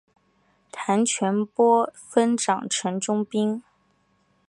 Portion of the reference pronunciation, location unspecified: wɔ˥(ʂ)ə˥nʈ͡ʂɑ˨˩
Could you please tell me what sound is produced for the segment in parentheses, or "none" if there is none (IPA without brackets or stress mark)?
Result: f